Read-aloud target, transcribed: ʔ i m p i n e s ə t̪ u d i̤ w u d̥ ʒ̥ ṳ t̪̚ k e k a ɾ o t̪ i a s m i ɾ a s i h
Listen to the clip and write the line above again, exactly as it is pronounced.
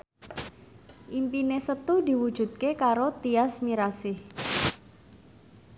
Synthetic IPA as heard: ʔ i m p i n e s ə t̪ u d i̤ w u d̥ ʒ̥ ṳ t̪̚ k e k a ɾ o t̪ i a s m i ɾ a s ɪ h